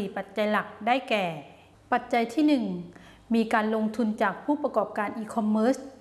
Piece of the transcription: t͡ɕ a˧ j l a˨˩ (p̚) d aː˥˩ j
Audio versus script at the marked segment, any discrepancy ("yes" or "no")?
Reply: yes